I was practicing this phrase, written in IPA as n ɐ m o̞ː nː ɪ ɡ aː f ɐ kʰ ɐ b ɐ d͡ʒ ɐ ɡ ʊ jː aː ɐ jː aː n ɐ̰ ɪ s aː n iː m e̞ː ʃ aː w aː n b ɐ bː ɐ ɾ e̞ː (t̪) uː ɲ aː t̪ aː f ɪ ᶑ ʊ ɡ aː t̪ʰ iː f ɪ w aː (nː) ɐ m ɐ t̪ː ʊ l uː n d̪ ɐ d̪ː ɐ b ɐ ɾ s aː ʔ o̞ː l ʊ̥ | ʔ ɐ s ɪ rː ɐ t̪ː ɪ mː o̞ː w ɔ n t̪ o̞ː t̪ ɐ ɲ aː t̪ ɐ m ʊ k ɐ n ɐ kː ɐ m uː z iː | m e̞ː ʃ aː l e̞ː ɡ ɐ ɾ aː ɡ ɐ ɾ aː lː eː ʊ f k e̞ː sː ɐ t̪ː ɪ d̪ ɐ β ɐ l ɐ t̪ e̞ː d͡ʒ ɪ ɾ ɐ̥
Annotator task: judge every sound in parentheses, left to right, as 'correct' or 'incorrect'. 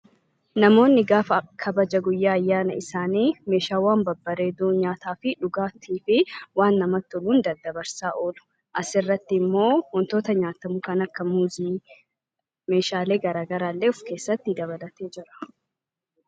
incorrect, correct

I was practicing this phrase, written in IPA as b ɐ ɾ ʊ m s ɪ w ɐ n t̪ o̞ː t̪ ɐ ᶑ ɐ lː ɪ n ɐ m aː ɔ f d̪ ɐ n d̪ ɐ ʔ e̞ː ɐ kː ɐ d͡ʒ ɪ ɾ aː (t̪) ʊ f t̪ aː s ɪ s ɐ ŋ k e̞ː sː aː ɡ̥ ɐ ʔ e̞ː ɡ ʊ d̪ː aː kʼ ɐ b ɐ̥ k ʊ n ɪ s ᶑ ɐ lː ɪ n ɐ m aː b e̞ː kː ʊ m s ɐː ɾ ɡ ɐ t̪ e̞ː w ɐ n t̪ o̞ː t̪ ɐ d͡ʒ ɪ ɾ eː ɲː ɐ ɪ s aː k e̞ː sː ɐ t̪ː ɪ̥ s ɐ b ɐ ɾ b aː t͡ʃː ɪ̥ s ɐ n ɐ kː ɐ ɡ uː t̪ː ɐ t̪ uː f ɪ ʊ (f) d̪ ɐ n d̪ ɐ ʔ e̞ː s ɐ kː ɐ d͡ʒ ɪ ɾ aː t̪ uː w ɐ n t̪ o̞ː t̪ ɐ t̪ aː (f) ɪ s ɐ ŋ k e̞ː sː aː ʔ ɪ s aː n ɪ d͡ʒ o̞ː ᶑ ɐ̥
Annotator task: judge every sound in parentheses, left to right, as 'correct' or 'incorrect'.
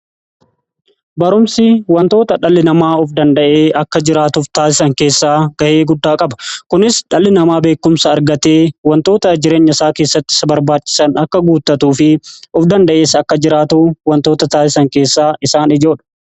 correct, correct, incorrect

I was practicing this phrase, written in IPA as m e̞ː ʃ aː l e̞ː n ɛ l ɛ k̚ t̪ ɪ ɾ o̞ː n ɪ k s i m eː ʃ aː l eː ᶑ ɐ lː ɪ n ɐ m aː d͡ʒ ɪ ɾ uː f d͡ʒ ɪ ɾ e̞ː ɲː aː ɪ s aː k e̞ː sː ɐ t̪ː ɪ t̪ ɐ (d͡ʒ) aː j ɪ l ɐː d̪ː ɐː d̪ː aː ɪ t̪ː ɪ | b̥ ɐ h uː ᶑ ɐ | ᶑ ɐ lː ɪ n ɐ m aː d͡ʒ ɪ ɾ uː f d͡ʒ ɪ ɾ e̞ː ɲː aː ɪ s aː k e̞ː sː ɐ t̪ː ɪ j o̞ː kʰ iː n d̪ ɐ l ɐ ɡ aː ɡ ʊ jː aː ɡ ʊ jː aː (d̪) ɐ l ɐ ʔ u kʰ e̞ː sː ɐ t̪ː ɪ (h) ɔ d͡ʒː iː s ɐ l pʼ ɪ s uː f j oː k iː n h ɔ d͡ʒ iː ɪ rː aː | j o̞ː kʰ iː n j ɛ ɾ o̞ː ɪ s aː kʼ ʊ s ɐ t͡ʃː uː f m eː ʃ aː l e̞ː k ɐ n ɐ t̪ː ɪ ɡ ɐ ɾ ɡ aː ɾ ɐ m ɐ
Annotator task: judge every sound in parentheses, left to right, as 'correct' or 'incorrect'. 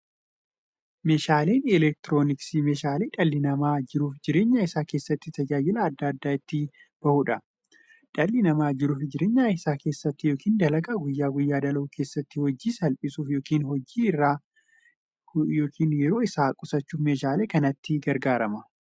correct, correct, correct

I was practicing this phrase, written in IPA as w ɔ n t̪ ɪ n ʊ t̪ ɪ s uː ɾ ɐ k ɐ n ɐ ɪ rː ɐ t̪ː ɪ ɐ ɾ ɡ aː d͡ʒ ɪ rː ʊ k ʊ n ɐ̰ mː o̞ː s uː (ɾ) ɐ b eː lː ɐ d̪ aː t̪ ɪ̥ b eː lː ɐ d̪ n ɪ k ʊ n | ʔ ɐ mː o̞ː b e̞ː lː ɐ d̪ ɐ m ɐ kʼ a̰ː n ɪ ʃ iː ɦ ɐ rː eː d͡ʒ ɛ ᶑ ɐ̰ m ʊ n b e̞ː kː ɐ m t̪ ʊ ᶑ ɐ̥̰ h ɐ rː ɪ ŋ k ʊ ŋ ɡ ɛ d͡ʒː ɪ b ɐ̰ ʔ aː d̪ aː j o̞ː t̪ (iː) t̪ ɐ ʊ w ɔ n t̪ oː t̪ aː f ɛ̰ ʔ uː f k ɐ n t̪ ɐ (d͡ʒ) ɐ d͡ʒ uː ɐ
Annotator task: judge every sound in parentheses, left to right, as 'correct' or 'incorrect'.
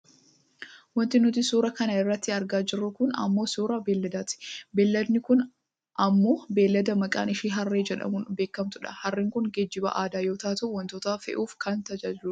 correct, incorrect, correct

